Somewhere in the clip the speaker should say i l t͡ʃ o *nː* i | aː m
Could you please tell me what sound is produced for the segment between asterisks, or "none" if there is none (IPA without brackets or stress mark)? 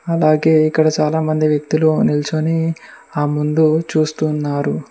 n